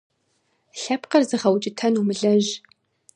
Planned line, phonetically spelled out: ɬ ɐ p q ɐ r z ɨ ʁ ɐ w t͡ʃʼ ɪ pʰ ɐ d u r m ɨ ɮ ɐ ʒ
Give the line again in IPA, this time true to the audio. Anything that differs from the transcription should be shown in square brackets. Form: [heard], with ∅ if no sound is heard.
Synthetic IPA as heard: ɬ ɐ p q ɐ r z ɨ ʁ ɐ w t͡ʃʼ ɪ [tʰ] ɐ [n] u [∅] m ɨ ɮ ɐ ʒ